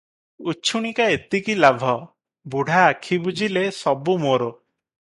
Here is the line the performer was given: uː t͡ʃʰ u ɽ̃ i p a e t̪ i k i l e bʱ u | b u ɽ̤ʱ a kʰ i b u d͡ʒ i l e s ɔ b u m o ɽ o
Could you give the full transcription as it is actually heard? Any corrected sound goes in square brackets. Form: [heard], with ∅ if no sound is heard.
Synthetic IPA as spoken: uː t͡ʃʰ u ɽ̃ i [k] a e t̪ i k i l [a] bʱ [ɔ] | b u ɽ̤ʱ a kʰ i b u d͡ʒ i l e s ɔ b u m o [ɾ] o